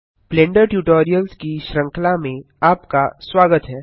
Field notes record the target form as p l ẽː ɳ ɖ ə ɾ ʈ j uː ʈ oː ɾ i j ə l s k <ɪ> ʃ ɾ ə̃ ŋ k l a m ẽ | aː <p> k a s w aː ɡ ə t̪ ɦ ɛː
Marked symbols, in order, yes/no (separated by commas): no, yes